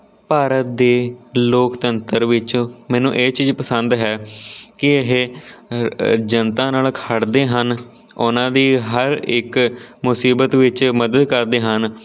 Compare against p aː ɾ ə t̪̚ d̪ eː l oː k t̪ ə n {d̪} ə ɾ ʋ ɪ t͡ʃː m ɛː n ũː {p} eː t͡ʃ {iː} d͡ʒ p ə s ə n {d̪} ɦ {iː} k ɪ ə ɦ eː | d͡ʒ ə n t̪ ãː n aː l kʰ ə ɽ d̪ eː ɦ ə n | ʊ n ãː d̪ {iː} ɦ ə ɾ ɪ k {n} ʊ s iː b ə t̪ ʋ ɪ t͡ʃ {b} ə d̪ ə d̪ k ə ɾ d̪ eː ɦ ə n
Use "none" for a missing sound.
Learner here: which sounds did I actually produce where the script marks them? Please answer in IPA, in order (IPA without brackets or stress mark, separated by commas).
t̪, ʔ, iː, d̪, ɛː, iː, m, m